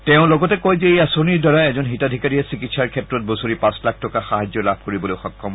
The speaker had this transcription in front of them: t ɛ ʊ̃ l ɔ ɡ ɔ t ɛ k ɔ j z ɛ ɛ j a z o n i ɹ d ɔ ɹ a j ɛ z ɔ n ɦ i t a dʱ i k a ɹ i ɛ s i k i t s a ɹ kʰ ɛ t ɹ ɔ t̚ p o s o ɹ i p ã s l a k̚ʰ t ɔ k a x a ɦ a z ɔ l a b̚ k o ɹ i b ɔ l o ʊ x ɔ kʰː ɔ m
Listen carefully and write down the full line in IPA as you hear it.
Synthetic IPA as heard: t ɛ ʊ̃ l ɔ ɡ ɔ t ɛ k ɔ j z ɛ e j a s o n i ɹ d ɔ ɹ a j ɛ z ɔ n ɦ i t a dʱ i k a ɹ i ɛ s i k i t s a ɹ kʰ ɛ t ɹ ɔ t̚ b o s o ɹ i p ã s l a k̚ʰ t ɔ k a x a ɦ a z ɔ l a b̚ k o ɹ i b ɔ l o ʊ x ɔ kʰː ɔ m